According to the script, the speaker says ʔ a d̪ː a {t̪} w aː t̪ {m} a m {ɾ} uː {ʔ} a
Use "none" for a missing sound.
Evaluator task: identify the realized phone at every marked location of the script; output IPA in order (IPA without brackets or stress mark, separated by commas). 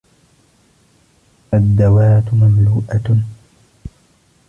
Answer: none, m, l, ʔ